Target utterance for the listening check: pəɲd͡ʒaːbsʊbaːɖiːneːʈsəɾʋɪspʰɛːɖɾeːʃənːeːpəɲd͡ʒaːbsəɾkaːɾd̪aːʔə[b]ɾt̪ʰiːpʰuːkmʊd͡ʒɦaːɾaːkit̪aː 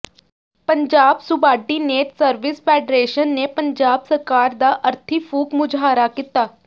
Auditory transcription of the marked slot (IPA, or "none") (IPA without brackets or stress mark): none